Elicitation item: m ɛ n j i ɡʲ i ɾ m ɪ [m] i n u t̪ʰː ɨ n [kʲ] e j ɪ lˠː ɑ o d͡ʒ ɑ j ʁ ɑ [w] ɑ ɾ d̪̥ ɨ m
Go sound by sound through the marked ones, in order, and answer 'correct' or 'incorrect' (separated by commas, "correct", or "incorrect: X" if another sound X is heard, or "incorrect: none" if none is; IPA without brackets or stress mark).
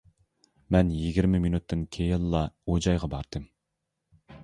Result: correct, incorrect: kʲʰ, incorrect: b